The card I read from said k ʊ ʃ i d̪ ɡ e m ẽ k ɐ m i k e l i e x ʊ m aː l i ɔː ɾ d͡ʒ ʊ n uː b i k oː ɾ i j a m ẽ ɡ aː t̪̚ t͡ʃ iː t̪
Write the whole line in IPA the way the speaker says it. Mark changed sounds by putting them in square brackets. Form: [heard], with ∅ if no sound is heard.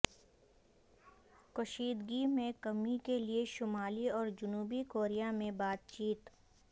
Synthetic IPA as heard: k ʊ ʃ [iː] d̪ ɡ [i] m ẽ k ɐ m i k e l i e [ʃ] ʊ m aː l i ɔː ɾ d͡ʒ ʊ n uː b i k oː ɾ i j a m ẽ [b] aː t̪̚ t͡ʃ iː t̪